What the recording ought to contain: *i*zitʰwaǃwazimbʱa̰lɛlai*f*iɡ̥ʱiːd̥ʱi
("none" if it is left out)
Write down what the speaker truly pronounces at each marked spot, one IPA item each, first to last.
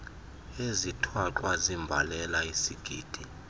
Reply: e, s

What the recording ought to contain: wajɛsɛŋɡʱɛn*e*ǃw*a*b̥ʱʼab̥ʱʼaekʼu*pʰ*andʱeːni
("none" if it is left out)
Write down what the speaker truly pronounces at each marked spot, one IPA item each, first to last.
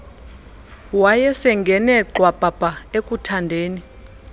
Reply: ɛ, a, tʰ

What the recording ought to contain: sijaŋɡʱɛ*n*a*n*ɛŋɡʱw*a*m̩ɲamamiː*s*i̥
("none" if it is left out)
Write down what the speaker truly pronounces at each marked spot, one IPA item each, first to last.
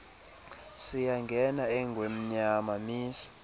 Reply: n, none, e, s

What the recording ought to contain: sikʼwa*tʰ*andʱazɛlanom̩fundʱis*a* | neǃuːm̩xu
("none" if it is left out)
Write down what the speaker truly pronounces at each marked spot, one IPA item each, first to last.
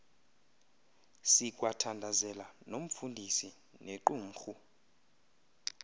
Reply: tʰ, i

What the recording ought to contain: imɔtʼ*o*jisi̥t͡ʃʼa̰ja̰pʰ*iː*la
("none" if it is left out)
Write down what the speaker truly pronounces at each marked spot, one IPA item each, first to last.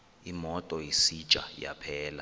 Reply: ɔ, ɛː

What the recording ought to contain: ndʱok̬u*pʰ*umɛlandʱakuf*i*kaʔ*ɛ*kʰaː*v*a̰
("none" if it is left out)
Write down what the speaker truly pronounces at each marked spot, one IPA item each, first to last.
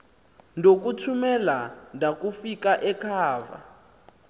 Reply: tʰ, i, ɛ, v

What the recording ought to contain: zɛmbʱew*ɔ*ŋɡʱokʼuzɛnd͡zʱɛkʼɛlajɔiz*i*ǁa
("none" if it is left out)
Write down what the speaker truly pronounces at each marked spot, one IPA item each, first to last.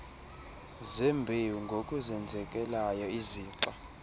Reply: u, iː

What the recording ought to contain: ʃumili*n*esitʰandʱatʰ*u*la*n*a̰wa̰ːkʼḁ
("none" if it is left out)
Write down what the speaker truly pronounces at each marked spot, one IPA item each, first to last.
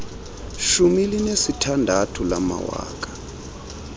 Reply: n, u, m

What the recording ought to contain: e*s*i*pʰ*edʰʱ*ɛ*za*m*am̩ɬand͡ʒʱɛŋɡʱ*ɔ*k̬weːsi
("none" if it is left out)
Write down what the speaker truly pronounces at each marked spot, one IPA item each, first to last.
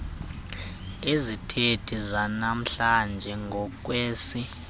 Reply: z, tʰ, i, n, ɔ

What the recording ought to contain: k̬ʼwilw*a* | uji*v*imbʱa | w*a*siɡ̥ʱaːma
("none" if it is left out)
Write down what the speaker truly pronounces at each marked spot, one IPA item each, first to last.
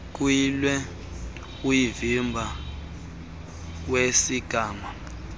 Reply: ɛ, v, e

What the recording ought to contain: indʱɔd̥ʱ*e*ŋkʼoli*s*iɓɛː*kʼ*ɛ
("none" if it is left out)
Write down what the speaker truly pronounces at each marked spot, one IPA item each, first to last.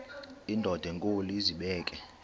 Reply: ɛ, z, kʼ

